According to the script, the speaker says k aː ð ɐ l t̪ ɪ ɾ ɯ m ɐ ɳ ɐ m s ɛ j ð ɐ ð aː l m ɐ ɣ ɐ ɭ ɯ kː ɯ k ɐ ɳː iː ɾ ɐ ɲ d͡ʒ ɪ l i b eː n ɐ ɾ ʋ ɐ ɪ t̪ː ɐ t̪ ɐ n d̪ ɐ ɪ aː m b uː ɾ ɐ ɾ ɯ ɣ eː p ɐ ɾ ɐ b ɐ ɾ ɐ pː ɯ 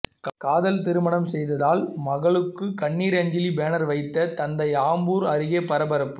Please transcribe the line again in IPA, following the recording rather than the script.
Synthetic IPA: k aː ð ɐ l t̪ ɪ ɾ ɯ m ɐ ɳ ɐ m s ɛ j ð ɐ ð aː l m ɐ ɣ ɐ ɭ ɯ kː ɯ k ɐ ɳː iː ɾ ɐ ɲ d͡ʒ ɪ l i b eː n ɐ ɾ ʋ ɐ ɪ t̪ː ɐ t̪ ɐ n d̪ ɐ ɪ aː m b uː ɾ ɐ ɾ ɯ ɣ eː p ɐ ɾ ɐ b ɐ ɾ ɐ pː ɯ